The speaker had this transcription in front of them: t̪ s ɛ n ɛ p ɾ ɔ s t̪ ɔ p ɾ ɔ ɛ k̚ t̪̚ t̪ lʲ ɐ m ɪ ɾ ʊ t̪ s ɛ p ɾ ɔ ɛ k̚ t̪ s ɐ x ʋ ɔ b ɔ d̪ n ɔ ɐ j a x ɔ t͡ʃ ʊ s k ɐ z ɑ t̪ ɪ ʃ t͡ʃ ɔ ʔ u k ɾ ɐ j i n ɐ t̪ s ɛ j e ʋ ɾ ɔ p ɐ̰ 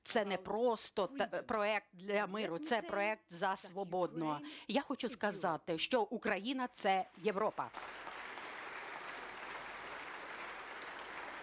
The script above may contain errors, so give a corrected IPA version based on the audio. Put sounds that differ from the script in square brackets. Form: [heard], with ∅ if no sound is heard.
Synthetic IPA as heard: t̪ s ɛ n ɛ p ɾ ɔ s t̪ ɔ p ɾ ɔ ɛ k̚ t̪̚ [d̪] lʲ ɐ m ɪ ɾ ʊ t̪ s ɛ p ɾ ɔ ɛ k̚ t̪ [z] ɐ [s] ʋ ɔ b ɔ d̪ n ɔ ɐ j a x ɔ t͡ʃ ʊ s k ɐ z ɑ t̪ ɪ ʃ t͡ʃ ɔ ʔ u k ɾ ɐ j i n ɐ t̪ s ɛ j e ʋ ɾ ɔ p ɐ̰